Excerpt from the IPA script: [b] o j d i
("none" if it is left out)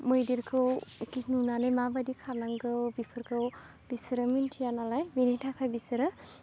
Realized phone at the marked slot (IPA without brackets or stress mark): m